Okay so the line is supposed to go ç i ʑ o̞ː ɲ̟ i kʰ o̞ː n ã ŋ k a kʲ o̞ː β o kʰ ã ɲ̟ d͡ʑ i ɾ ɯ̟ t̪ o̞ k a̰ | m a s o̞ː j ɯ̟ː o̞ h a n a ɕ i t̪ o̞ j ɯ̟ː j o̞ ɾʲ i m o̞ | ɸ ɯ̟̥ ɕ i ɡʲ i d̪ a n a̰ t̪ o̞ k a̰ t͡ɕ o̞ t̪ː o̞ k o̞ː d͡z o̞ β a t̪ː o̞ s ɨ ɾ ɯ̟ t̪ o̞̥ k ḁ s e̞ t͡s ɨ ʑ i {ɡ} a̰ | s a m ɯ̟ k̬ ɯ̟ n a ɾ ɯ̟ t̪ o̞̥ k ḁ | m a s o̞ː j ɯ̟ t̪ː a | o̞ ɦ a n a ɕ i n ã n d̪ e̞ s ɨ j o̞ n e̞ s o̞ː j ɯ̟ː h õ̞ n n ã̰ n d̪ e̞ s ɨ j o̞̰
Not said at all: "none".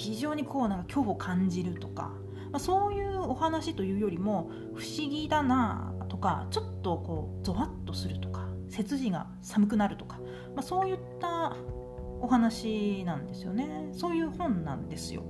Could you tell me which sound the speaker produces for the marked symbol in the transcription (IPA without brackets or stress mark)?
ɡ